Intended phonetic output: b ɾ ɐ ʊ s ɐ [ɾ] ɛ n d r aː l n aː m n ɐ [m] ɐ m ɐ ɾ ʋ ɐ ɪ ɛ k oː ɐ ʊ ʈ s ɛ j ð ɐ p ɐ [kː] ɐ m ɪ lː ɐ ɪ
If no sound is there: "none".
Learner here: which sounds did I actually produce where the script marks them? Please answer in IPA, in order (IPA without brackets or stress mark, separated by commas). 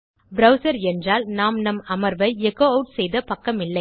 ɾ, m, kː